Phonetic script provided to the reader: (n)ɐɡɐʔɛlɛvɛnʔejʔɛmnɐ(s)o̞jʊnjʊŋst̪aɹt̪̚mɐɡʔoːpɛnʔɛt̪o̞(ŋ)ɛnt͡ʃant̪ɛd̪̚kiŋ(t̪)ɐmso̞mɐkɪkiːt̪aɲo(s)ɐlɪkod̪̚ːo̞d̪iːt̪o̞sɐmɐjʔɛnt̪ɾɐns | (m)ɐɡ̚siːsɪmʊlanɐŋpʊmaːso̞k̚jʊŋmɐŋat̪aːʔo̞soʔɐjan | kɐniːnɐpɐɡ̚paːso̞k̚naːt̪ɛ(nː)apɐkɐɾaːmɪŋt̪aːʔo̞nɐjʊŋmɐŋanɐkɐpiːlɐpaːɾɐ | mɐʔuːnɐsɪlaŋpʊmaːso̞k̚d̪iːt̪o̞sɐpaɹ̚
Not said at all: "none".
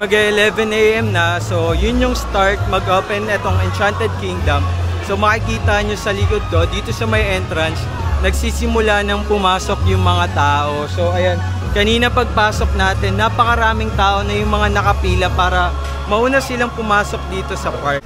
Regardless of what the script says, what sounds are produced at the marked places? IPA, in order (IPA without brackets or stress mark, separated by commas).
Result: m, s, ŋ, d̪, s, n, nː